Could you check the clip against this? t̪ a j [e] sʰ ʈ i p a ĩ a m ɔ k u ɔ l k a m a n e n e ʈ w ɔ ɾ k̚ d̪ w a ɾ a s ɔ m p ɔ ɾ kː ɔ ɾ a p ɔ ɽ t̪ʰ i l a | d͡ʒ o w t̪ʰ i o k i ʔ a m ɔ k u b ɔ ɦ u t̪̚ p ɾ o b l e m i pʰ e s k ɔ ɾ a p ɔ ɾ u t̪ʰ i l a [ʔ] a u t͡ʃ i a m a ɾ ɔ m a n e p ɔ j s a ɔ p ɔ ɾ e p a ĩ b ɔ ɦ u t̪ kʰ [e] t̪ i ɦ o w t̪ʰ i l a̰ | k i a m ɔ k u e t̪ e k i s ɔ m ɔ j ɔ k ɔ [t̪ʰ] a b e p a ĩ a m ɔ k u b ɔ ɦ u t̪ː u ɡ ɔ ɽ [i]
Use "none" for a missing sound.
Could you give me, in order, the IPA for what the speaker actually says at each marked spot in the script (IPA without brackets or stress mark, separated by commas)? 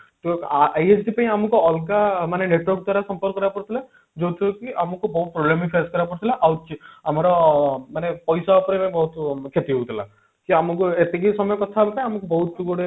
e, ʔ, e, t̪ʰ, e